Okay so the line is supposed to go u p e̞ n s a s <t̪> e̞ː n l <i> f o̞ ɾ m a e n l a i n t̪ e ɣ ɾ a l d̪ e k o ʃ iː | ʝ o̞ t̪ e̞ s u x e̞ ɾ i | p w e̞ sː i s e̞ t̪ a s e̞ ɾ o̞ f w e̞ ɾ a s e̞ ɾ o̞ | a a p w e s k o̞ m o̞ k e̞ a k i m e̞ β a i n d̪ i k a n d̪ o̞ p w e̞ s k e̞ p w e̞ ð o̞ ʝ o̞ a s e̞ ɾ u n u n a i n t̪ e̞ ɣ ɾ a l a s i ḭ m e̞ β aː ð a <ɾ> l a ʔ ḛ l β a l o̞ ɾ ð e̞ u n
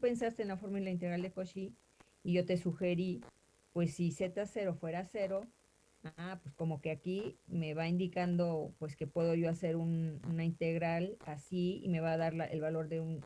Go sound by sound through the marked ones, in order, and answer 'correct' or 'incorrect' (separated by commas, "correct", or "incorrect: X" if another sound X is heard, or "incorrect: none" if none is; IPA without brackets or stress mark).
correct, incorrect: a, correct